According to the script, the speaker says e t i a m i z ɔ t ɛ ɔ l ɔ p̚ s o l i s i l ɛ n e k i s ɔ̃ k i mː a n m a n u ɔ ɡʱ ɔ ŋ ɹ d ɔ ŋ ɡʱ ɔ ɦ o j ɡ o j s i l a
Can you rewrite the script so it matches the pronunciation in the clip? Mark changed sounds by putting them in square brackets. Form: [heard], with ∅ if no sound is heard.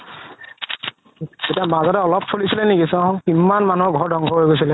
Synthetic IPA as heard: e t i a m [a] z ɔ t ɛ ɔ l ɔ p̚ s o l i s i l ɛ n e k i s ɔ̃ k i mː a n m a n u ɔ ɡʱ ɔ [∅] ɹ d ɔ ŋ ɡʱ ɔ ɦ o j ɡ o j s i l [ɛ]